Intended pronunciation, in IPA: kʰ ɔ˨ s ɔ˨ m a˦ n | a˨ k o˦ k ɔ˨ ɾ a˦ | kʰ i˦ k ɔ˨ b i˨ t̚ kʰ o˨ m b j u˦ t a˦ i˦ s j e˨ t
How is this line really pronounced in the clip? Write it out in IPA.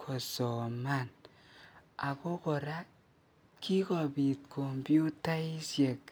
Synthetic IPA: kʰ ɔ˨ s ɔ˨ m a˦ n | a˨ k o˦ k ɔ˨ ɾ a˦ | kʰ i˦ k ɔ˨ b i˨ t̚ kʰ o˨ m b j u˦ t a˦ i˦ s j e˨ k